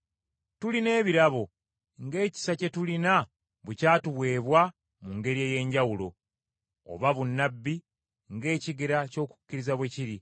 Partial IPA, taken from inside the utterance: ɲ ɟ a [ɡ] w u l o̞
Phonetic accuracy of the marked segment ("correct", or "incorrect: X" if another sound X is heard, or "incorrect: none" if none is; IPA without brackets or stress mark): incorrect: none